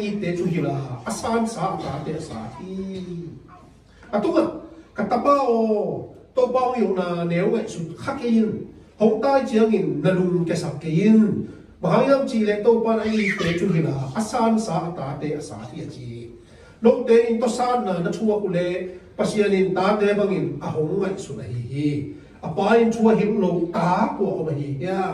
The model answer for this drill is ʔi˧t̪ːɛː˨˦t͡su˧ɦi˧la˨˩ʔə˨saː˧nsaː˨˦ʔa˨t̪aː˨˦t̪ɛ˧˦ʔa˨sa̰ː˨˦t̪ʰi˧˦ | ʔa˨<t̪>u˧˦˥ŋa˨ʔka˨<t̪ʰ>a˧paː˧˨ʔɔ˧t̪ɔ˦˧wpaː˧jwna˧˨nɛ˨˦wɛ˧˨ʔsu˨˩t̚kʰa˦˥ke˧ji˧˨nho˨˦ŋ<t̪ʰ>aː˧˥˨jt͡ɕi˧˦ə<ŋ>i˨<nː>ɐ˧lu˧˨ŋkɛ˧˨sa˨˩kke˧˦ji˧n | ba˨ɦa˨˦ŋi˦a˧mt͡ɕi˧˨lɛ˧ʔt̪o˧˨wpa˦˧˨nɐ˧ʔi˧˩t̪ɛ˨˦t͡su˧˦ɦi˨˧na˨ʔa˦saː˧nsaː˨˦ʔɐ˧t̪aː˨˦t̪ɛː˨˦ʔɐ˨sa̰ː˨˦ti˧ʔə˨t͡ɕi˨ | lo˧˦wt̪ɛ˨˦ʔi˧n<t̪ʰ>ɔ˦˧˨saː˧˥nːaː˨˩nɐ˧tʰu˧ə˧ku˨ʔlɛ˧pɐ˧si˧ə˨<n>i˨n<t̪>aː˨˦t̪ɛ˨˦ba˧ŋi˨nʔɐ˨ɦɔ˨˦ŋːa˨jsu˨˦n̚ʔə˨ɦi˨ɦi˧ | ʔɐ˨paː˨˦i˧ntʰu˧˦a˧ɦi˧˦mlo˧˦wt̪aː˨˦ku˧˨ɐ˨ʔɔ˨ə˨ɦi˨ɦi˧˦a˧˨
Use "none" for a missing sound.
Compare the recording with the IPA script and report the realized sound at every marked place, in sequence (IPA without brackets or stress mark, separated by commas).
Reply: t̪, t̪, t̪, ŋ, nː, t̪, n, t̪